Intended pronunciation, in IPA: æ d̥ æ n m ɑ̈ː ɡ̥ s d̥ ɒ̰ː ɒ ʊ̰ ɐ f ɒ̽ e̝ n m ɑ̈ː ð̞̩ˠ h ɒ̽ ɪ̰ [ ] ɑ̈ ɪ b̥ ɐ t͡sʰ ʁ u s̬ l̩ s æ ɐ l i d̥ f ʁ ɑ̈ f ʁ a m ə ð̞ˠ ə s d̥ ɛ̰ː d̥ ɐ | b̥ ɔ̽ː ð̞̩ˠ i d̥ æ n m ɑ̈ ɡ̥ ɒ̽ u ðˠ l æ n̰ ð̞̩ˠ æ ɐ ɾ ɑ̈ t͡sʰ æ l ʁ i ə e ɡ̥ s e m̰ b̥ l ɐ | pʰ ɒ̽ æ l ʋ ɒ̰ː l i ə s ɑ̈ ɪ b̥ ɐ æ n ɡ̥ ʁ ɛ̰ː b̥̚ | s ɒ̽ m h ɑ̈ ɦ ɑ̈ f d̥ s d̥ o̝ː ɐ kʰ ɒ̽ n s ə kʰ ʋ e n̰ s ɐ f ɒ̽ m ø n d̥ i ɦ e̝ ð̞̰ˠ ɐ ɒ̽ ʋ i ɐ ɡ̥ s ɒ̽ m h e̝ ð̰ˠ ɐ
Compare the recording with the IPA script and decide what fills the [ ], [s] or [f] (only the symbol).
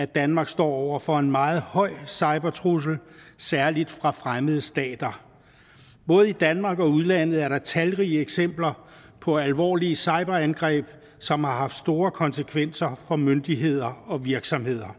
s